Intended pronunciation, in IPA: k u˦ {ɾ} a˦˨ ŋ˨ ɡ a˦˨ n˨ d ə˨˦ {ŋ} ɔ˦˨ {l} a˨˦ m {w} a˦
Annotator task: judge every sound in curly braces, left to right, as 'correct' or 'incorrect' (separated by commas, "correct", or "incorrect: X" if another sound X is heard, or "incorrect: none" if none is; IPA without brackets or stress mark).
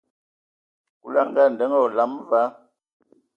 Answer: incorrect: l, correct, correct, incorrect: v